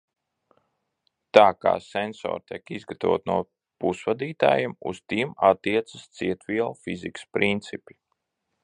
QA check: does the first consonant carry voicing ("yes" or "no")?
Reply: no